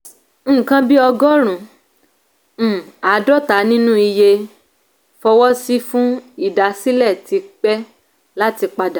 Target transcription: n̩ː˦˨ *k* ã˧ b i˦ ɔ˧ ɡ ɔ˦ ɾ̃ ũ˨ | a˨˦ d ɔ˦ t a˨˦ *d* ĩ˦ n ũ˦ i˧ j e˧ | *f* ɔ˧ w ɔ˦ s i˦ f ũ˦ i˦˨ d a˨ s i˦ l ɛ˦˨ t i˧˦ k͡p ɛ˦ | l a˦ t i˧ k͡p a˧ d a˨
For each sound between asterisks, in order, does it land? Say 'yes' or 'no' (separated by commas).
yes, no, yes